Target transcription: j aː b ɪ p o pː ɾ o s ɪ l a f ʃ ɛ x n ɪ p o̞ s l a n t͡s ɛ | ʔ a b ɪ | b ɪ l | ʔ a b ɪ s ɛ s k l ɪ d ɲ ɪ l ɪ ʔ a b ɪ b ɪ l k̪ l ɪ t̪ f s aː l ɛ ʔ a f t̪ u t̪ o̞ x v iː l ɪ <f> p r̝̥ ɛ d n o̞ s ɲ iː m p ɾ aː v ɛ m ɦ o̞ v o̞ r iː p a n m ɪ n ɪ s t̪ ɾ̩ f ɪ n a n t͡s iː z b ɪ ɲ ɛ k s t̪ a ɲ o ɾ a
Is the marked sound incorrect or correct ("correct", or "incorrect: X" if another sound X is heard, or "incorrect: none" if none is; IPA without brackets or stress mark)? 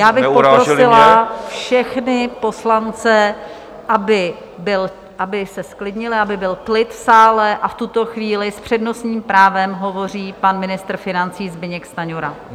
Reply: incorrect: s